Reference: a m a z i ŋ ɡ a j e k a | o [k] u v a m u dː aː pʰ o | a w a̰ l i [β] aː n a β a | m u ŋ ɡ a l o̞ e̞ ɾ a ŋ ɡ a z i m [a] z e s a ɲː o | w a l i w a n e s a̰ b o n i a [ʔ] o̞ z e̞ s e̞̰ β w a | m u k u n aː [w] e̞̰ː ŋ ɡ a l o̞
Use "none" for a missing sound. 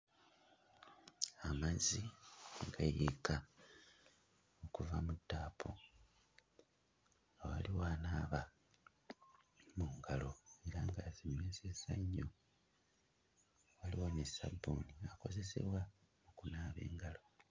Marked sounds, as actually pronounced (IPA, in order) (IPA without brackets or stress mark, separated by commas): k, w, e, k, β